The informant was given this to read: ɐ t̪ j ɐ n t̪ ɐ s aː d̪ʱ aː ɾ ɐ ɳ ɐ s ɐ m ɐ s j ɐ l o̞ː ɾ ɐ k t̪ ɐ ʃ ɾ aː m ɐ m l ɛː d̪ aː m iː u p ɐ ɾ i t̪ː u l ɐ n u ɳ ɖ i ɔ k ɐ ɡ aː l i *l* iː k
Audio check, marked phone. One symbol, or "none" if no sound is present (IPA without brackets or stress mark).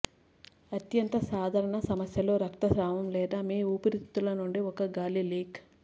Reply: l